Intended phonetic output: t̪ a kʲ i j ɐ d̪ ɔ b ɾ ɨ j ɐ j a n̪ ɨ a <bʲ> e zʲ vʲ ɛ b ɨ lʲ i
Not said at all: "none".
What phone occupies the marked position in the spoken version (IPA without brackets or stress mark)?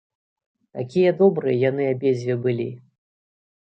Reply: bʲ